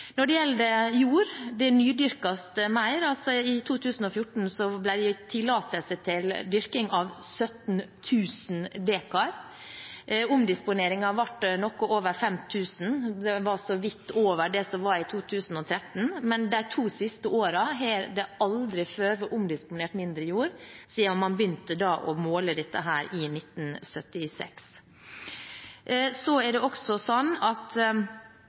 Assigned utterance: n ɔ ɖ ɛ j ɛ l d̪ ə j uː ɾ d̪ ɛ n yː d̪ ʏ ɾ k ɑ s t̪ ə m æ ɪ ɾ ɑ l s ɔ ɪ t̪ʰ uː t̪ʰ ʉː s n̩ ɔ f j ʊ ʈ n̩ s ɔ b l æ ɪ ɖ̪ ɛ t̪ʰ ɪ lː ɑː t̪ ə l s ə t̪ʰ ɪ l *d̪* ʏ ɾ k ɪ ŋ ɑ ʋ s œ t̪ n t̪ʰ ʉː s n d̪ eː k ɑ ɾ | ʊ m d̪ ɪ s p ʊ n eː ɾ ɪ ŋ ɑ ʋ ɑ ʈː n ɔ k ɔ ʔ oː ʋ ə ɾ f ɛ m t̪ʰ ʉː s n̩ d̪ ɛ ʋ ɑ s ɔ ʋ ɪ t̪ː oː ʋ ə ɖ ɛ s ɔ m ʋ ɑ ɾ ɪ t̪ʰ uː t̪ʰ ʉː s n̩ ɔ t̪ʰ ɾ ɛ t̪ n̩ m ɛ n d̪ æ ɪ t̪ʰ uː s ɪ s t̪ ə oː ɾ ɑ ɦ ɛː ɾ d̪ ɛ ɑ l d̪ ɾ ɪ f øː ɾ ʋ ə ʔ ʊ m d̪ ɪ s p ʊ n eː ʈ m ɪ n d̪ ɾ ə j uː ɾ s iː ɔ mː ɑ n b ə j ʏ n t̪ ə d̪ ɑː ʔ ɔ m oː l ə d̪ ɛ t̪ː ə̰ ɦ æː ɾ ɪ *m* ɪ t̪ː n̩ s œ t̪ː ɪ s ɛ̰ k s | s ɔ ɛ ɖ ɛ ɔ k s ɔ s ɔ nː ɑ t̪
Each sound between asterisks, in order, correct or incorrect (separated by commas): correct, incorrect